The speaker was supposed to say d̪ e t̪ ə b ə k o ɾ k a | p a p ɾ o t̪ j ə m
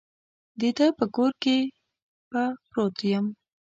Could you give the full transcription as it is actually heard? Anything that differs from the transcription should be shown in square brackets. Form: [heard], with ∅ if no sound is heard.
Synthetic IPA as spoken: d̪ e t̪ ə [p] ə k o ɾ k [e] | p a p ɾ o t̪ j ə m

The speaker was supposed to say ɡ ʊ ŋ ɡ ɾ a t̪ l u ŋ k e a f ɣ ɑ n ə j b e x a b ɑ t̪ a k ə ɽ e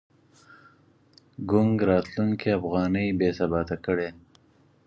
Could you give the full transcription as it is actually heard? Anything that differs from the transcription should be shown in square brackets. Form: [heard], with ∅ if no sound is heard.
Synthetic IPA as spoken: ɡ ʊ ŋ ɡ ɾ [ɑ] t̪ l u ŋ k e a f ɣ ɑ n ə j b e [s] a b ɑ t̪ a k ə ɽ e

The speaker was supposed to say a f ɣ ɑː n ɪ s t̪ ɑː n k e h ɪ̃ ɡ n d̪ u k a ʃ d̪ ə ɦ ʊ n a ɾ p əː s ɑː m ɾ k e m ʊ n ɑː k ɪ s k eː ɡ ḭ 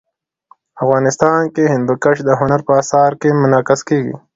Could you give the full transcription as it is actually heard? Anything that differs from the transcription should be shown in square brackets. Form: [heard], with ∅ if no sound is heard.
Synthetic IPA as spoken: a f ɣ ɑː n ɪ s t̪ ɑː n k e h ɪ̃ [∅] n d̪ u k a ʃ d̪ ə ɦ ʊ n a ɾ p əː s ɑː [∅] ɾ k e m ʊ n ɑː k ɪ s k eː ɡ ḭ

